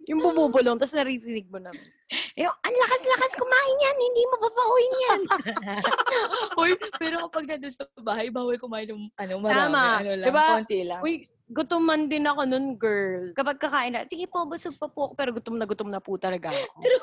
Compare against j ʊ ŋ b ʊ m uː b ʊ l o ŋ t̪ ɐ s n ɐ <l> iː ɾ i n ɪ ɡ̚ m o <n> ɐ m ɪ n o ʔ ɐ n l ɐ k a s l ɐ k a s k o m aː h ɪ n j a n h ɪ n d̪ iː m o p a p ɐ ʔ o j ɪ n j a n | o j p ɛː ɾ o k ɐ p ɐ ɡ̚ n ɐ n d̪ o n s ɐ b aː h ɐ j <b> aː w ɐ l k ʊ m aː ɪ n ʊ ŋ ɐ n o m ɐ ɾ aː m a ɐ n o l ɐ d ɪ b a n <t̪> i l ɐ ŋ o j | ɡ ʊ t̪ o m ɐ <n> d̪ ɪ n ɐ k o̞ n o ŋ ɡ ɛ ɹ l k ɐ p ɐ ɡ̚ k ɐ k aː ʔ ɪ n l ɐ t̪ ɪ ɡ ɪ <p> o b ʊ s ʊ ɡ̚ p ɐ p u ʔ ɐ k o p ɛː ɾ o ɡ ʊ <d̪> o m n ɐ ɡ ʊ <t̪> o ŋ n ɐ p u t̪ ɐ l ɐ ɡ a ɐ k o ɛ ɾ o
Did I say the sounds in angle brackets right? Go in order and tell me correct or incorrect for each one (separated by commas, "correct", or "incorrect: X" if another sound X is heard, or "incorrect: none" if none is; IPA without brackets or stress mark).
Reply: incorrect: ɾ, correct, correct, correct, correct, correct, incorrect: t̪, correct